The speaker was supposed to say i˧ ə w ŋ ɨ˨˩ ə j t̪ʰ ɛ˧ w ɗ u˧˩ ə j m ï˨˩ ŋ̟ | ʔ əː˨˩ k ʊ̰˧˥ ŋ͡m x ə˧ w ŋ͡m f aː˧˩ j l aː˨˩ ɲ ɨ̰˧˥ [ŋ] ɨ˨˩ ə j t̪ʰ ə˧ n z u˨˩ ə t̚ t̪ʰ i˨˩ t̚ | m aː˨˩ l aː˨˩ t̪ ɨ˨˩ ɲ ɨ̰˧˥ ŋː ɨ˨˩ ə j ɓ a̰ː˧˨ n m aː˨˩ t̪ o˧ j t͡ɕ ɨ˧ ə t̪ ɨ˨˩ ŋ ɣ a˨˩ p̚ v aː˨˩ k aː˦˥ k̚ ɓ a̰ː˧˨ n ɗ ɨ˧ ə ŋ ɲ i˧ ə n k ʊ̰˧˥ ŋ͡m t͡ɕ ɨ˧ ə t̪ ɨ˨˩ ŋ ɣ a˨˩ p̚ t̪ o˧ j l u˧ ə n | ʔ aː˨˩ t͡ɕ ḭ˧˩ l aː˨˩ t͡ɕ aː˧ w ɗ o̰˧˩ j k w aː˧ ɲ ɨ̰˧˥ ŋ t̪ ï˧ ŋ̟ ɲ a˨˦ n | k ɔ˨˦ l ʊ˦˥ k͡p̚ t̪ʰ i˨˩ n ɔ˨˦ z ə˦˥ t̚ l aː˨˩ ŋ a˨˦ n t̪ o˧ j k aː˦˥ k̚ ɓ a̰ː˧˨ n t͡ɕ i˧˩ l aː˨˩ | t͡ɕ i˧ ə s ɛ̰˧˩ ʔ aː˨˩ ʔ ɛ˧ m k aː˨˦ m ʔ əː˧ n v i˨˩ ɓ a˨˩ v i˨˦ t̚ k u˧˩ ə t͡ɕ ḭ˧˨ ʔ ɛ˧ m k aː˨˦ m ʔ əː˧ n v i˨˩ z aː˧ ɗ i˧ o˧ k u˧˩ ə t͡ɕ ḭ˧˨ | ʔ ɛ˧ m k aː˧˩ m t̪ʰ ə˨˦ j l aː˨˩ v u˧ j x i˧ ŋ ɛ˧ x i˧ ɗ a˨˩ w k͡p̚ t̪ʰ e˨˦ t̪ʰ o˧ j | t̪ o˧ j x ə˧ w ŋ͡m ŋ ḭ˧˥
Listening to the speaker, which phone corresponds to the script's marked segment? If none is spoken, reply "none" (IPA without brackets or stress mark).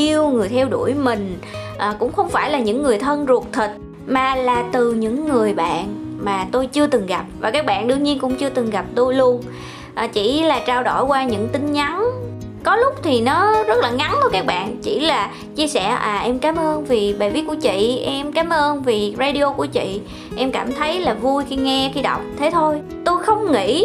ŋː